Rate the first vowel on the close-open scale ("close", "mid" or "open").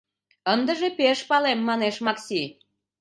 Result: mid